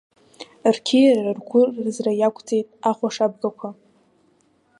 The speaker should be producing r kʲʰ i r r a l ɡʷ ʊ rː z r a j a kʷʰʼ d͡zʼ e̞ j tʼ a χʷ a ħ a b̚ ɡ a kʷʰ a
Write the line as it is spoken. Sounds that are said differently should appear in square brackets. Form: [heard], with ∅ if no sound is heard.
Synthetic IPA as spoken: r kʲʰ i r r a [r] ɡʷ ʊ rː z r a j a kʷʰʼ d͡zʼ e̞ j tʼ a χʷ a [ʂ] a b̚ ɡ a kʷʰ a